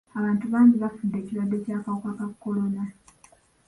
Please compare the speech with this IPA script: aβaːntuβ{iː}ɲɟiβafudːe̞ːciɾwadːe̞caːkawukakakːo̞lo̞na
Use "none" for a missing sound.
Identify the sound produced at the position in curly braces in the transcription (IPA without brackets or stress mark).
aː